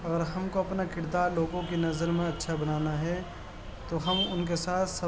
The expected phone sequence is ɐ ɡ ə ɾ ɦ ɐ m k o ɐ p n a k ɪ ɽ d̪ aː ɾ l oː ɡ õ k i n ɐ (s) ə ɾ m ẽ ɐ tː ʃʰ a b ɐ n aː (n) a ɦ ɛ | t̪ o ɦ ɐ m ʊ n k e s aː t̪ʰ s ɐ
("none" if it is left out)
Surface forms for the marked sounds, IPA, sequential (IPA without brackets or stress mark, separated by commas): z, n